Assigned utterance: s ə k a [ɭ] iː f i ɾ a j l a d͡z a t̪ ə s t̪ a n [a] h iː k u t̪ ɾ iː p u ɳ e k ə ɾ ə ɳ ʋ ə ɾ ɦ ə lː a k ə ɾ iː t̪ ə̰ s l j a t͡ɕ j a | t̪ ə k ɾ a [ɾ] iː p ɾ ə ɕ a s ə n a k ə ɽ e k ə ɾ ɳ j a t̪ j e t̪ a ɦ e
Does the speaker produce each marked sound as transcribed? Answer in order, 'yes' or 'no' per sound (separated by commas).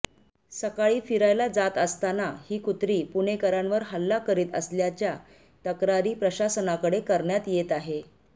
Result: yes, yes, yes